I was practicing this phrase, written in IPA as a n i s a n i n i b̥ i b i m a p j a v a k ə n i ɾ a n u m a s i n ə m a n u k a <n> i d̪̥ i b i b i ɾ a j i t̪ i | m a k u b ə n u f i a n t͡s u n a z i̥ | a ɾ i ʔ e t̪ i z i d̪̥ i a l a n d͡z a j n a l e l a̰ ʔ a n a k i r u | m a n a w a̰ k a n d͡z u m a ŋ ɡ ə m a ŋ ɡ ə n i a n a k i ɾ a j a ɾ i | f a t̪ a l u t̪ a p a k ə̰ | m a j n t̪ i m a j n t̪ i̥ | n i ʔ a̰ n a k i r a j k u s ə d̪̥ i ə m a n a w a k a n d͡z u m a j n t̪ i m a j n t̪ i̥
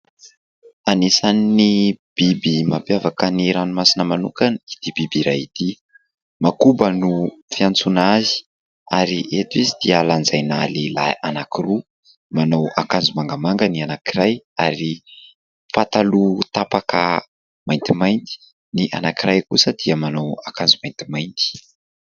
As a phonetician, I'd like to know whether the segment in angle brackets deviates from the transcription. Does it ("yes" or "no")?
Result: no